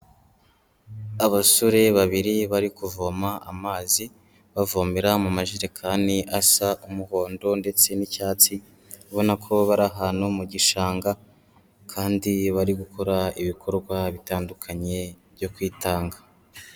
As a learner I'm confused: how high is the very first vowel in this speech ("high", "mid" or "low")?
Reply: low